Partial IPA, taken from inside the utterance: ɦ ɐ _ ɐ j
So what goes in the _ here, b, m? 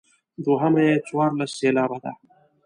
m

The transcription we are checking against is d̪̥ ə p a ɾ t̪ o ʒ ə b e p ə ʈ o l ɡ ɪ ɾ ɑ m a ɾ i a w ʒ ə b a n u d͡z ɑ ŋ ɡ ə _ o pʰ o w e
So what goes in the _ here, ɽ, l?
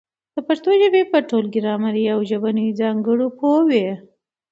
ɽ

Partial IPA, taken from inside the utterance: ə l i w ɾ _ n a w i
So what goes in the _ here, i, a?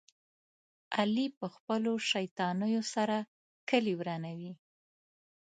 a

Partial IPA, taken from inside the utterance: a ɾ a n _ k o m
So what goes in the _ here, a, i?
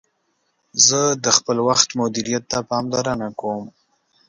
a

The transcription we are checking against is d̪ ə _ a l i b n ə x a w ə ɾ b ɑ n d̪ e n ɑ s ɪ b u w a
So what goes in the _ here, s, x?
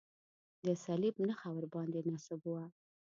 s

